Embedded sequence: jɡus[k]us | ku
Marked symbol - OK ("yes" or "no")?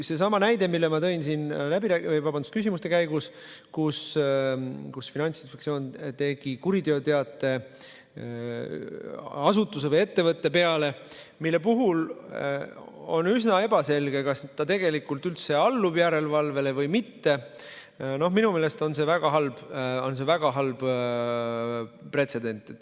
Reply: yes